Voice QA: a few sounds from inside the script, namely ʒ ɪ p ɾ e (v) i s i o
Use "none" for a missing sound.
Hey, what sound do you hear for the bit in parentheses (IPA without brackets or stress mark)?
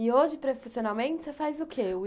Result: f